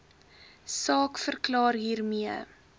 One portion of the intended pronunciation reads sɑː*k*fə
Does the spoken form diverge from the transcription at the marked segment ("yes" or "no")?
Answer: no